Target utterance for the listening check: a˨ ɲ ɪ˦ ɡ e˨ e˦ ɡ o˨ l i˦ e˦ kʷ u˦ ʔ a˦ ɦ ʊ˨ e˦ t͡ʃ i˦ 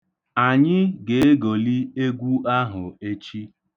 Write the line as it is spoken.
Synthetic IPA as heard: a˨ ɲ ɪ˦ ɡ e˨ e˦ ɡ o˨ l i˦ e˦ ɡʷ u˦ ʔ a˦ ɦ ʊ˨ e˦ t͡ʃ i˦